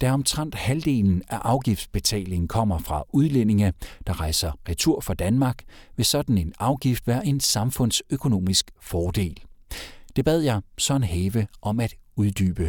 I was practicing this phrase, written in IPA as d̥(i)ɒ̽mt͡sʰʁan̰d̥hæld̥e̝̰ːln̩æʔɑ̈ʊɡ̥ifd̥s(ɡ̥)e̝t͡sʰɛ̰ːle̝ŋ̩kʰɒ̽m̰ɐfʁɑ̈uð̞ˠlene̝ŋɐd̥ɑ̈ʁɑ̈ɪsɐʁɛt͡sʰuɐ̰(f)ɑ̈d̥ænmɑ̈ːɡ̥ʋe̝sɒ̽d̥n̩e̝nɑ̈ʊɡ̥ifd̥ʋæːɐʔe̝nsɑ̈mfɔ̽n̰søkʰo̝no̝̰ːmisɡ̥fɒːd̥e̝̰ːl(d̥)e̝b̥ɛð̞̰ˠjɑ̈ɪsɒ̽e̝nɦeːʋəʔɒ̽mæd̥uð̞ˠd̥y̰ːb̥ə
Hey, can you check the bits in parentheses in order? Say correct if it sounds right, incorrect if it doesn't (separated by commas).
incorrect, incorrect, correct, correct